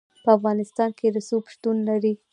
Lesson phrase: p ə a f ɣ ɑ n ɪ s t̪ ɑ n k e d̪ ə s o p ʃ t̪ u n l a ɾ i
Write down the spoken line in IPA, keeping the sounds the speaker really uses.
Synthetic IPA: p ə a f ɣ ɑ n ɪ s t̪ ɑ n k e d̪ ə s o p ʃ t̪ u n l a ɾ i